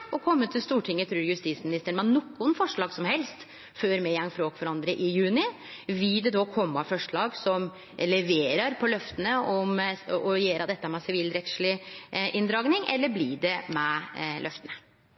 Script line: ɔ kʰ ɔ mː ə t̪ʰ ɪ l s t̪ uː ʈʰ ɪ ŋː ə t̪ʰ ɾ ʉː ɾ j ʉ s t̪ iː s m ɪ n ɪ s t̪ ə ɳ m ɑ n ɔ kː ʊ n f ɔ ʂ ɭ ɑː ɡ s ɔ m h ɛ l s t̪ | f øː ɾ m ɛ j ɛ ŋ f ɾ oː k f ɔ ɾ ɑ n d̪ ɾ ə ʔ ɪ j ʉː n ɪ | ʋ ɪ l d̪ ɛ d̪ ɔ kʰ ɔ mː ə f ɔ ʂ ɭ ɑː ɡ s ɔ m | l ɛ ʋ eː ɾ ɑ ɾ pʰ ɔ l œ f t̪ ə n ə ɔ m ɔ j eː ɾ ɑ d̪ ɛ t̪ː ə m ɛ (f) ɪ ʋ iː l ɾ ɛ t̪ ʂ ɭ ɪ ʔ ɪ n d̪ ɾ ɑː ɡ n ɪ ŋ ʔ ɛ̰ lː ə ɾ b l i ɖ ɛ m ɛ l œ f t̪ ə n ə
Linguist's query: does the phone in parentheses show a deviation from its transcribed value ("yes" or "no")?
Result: yes